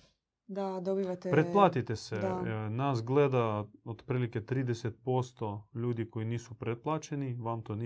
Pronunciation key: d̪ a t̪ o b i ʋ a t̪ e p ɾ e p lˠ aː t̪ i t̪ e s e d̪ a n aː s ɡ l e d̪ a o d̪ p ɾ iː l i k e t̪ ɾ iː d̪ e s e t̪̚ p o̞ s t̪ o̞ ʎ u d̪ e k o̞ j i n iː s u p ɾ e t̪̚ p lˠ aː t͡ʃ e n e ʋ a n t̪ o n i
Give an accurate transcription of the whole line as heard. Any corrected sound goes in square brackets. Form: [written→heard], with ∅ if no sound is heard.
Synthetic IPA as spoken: d̪ a [t̪→d̪] o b i ʋ a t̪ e p ɾ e p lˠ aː t̪ i t̪ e s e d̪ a n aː s ɡ l e d̪ a o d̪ p ɾ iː l i k e t̪ ɾ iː d̪ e s e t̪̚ p o̞ s t̪ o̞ ʎ [u→uː] d̪ [e→i] k o̞ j i n iː s u p ɾ e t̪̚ p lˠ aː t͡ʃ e n [e→i] ʋ a [n→m] t̪ o n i